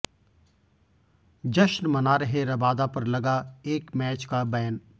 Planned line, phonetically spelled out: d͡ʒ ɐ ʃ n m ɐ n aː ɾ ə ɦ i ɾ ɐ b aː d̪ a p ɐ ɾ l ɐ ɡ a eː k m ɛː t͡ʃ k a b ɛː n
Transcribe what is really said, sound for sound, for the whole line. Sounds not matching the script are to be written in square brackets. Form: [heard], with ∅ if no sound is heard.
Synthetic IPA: d͡ʒ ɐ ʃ n m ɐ n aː ɾ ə ɦ [e] ɾ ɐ b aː d̪ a p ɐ ɾ l ɐ ɡ a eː k m ɛː t͡ʃ k a b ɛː n